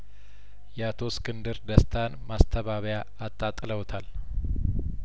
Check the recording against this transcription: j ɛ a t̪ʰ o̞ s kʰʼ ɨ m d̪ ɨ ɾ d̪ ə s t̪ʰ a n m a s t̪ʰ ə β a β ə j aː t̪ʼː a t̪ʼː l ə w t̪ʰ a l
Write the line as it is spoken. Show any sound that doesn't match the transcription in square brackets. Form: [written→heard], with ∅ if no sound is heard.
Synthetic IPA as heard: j ɛ a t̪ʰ o̞ s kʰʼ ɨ [m→n] d̪ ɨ ɾ d̪ ə s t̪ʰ a n m a s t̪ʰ ə β a β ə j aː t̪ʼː a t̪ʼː l ə w t̪ʰ a l